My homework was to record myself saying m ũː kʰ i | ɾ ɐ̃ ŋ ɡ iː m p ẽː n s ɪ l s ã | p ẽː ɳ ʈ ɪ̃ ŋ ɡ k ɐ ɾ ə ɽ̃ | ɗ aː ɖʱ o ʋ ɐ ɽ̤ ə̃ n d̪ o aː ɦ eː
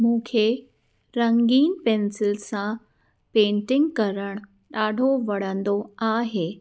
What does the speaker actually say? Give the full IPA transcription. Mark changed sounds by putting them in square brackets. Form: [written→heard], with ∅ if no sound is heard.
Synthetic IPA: m ũː kʰ [i→e] | ɾ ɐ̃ ŋ ɡ iː [m→n] p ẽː n s ɪ l s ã | p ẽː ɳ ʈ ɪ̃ ŋ ɡ k ɐ ɾ ə ɽ̃ | ɗ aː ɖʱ o ʋ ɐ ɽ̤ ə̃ n d̪ o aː ɦ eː